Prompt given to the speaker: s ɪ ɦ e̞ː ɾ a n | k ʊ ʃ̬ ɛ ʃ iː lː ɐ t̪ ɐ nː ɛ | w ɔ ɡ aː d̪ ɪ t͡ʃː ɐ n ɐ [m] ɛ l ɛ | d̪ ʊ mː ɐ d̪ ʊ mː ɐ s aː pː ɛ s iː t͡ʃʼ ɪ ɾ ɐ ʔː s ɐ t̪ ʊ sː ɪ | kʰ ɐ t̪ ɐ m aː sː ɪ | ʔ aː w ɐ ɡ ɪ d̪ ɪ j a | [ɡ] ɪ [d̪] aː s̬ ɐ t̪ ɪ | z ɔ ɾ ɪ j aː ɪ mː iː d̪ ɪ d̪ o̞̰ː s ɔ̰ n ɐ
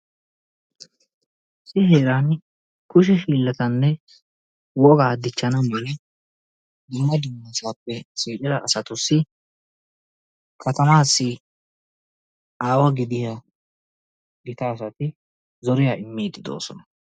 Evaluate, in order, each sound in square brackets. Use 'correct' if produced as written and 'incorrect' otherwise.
correct, correct, incorrect

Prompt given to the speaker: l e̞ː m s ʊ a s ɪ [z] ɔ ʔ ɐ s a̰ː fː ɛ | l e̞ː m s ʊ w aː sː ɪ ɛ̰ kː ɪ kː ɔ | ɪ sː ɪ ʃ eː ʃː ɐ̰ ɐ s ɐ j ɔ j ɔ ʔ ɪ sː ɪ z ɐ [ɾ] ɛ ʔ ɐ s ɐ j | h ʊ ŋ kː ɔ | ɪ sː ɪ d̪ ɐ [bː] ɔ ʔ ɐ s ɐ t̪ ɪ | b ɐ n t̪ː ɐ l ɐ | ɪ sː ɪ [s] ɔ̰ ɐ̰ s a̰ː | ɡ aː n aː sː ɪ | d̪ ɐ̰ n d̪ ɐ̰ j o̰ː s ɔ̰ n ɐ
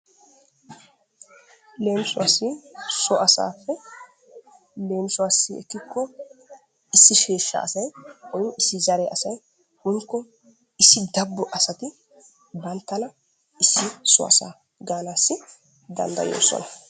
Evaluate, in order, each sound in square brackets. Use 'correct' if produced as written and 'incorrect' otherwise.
incorrect, correct, correct, correct

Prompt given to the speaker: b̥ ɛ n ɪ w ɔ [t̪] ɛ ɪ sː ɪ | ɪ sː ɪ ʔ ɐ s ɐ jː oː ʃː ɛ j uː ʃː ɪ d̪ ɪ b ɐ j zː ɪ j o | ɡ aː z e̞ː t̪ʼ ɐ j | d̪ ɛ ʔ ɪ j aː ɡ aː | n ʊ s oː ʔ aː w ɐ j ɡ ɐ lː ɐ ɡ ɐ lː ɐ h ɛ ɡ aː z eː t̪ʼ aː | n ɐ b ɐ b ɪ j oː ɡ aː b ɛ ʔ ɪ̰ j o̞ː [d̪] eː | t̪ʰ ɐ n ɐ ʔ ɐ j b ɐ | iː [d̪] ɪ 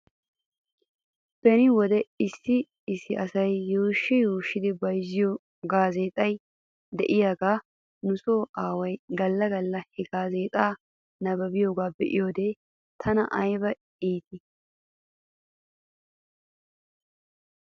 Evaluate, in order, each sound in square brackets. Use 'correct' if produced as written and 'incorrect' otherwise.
incorrect, correct, incorrect

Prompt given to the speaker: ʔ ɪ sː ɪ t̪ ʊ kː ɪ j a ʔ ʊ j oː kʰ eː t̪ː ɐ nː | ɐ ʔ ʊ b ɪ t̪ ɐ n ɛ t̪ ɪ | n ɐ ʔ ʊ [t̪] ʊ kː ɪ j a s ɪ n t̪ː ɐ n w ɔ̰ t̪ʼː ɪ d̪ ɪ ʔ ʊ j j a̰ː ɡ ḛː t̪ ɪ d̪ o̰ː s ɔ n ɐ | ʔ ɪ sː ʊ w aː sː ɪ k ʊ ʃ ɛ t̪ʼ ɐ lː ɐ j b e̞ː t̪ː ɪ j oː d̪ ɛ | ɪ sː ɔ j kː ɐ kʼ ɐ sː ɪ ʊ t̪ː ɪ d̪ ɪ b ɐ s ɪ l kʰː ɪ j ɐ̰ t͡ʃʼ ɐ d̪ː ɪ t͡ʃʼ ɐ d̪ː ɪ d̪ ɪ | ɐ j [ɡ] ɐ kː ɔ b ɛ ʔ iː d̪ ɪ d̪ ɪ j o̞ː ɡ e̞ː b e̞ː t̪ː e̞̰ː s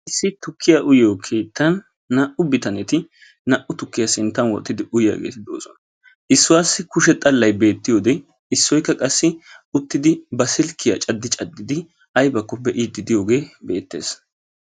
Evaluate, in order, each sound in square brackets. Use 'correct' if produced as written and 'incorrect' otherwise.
correct, incorrect

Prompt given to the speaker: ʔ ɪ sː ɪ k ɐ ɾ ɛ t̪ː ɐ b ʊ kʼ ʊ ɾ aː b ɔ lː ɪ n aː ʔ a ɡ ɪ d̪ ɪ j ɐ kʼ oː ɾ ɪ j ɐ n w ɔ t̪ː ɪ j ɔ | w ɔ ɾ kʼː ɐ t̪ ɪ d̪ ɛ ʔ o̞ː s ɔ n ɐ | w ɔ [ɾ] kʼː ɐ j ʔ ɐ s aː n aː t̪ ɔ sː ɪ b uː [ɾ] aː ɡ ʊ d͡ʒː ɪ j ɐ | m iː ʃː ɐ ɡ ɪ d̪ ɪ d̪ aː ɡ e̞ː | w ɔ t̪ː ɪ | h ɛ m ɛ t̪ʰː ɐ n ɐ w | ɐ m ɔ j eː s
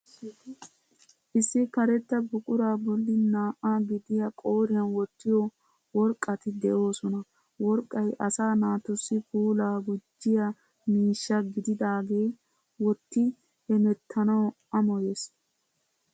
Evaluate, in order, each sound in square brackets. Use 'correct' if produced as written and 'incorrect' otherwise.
correct, incorrect

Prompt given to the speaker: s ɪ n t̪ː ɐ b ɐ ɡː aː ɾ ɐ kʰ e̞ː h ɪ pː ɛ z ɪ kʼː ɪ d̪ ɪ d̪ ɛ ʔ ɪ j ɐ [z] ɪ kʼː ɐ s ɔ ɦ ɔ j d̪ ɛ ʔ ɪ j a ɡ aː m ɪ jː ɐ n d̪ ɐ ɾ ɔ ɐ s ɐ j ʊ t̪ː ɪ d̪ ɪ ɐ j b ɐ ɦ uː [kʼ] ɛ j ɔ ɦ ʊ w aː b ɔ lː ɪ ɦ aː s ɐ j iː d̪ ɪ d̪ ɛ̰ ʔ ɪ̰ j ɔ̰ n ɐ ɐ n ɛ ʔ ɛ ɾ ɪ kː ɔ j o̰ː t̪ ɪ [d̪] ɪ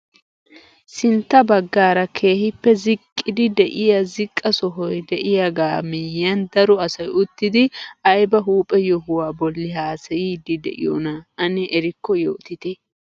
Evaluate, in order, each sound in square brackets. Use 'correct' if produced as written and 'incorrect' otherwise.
correct, incorrect, incorrect

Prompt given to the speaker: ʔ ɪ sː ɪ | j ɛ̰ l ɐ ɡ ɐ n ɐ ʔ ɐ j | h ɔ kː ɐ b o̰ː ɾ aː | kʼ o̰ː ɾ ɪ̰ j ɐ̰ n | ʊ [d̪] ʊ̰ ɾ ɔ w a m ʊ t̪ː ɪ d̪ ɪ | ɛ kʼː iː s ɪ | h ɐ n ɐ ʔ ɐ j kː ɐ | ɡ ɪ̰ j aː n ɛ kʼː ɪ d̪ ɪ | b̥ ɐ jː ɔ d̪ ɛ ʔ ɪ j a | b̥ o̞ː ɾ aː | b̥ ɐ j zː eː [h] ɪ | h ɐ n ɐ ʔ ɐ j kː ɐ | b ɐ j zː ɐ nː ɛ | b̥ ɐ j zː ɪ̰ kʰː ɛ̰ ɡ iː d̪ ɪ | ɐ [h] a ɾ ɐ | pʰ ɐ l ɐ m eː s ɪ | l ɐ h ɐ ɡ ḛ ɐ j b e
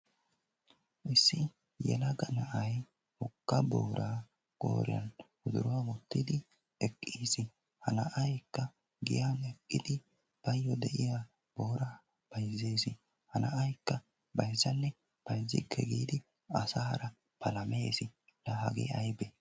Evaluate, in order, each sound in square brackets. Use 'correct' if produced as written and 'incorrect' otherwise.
correct, incorrect, incorrect

